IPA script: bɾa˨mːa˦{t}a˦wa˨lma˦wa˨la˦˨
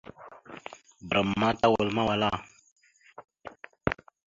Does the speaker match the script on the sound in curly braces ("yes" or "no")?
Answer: yes